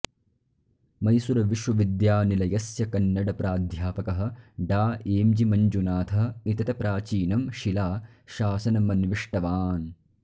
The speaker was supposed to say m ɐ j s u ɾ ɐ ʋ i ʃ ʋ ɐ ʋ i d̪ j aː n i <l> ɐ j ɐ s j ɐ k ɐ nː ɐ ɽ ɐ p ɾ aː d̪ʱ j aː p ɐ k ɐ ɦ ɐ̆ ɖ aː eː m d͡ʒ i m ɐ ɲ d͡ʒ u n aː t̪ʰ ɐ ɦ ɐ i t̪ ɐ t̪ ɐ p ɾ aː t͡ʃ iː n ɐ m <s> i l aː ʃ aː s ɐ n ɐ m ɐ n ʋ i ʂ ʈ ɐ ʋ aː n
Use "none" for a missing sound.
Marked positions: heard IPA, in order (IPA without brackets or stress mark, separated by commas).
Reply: l, ʃ